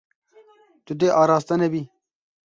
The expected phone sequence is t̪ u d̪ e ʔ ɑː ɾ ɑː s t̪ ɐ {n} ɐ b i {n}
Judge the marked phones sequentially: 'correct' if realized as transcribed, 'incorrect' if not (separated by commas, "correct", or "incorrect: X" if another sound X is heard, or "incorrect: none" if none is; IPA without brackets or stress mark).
correct, incorrect: none